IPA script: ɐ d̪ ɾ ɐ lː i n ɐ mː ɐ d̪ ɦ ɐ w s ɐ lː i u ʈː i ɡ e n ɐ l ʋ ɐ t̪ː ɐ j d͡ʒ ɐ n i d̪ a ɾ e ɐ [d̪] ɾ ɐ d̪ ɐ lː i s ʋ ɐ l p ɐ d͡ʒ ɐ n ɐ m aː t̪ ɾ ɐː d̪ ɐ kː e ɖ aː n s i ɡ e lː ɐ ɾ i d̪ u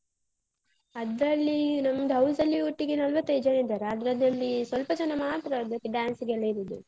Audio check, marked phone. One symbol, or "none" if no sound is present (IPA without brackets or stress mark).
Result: d̪